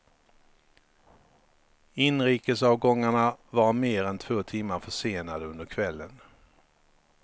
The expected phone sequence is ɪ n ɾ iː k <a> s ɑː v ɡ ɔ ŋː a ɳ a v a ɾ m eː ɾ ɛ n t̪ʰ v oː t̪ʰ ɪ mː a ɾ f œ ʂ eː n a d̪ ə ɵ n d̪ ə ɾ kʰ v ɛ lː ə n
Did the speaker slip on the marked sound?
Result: yes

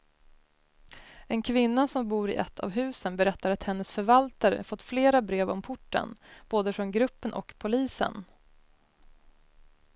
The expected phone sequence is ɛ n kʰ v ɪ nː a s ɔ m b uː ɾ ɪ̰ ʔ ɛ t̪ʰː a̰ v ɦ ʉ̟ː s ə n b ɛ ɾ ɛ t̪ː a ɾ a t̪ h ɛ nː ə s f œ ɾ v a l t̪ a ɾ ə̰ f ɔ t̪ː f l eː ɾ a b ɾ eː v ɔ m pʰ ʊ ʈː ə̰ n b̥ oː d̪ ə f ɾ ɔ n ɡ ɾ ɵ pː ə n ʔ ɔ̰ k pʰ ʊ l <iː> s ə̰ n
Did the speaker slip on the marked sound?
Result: no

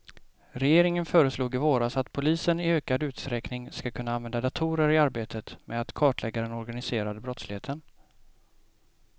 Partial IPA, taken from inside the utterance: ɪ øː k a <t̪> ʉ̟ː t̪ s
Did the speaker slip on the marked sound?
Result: yes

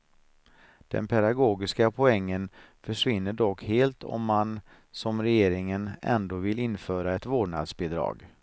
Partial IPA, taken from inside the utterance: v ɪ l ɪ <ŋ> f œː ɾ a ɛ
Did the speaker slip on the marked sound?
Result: yes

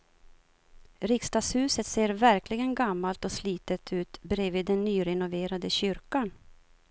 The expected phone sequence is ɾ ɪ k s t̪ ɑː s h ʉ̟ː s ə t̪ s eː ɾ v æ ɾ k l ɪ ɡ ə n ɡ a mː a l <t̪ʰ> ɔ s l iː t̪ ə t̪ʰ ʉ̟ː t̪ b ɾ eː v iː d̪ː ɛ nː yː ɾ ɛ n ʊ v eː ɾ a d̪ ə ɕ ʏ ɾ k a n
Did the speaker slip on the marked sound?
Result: yes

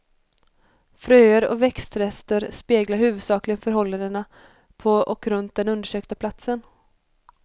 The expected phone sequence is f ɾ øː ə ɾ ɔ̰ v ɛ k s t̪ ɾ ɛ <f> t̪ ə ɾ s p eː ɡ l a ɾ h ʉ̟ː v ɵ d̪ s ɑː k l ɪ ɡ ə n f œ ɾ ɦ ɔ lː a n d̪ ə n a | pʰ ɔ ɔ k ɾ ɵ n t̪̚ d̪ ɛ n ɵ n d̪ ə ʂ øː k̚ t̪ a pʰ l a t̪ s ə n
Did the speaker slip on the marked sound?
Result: yes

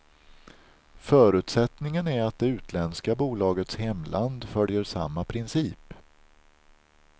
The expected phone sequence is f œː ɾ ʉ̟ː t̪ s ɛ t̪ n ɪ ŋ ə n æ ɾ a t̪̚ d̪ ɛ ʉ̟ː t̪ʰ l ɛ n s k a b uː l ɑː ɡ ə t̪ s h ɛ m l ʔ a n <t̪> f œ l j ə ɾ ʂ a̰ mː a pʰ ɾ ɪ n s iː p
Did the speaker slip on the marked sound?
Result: yes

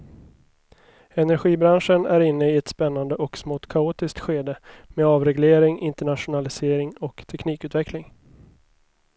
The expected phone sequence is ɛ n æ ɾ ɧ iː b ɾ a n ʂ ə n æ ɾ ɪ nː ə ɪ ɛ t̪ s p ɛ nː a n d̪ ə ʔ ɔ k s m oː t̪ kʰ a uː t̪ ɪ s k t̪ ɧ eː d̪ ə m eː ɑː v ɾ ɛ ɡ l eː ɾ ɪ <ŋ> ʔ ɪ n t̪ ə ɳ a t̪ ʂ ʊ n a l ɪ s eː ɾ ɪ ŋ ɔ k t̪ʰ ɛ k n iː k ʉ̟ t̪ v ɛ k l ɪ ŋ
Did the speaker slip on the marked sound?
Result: no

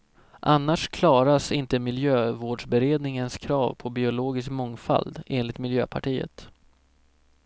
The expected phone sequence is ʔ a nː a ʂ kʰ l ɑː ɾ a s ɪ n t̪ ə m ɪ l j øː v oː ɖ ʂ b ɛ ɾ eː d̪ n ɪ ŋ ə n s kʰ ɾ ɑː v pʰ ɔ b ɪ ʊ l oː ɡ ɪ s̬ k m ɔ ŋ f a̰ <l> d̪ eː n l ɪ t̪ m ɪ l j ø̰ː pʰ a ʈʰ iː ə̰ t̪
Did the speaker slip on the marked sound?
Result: no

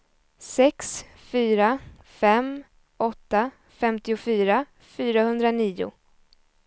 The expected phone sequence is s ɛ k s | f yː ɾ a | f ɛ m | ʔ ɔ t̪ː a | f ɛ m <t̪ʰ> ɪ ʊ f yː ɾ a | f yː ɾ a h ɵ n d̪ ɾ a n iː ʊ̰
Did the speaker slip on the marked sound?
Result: yes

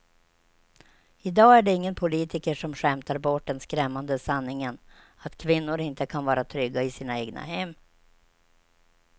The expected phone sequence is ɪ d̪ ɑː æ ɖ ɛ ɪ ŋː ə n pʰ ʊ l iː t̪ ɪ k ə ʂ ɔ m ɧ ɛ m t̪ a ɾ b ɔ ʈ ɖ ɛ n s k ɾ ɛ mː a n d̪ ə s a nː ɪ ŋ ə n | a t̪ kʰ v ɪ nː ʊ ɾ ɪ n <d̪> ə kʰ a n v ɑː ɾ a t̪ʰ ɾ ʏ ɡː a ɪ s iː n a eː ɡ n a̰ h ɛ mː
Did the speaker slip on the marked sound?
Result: yes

